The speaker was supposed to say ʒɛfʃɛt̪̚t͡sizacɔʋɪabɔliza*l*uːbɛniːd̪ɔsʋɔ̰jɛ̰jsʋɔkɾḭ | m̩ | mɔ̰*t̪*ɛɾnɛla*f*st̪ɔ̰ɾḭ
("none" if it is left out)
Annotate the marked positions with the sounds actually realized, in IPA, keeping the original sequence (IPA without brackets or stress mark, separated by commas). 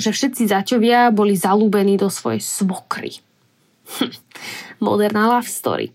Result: l, d̪, f